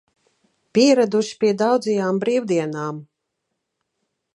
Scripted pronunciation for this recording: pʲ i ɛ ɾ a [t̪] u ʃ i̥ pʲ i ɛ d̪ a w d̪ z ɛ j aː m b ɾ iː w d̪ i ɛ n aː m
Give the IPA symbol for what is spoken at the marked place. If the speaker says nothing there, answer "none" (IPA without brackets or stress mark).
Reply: d̪